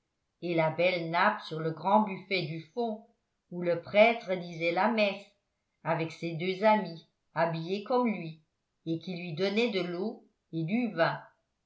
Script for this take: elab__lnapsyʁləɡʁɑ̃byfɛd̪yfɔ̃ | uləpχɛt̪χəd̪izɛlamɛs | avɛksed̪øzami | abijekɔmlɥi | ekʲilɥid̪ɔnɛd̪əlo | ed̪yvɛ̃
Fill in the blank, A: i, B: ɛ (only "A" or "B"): B